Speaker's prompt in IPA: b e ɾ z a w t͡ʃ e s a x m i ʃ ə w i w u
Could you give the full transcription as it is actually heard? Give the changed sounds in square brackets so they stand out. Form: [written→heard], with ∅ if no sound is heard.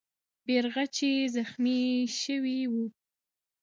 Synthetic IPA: b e ɾ [z→ɣ] a [w→∅] t͡ʃ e [s→z] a x m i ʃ ə w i w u